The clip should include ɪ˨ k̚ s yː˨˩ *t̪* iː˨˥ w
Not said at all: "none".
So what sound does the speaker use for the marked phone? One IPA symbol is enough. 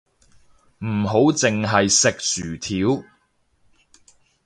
t̪ʰ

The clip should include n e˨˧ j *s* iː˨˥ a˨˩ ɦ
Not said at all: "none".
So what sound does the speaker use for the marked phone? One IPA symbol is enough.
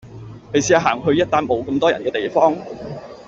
s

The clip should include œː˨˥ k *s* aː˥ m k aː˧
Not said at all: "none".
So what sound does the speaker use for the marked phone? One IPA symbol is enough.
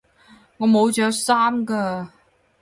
s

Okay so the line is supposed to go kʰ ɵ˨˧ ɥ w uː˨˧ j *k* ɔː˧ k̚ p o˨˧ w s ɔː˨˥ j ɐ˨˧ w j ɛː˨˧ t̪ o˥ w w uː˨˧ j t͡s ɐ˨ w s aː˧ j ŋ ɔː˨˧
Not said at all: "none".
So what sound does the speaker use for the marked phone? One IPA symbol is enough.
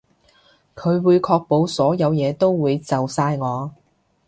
kʰ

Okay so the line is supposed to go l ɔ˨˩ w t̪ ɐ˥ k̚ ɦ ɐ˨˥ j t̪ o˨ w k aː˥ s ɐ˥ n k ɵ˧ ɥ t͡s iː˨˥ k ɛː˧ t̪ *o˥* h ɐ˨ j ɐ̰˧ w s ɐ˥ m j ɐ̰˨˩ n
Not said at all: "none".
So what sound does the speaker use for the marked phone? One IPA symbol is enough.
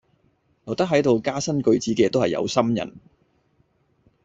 o˥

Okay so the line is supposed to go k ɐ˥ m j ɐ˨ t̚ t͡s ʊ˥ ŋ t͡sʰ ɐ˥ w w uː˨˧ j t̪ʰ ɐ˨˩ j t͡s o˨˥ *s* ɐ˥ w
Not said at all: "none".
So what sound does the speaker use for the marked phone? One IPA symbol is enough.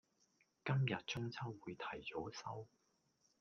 s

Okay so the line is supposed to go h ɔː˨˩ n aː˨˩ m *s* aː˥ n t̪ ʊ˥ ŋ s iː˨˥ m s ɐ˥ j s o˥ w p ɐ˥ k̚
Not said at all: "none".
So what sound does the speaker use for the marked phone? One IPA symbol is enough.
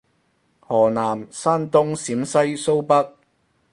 s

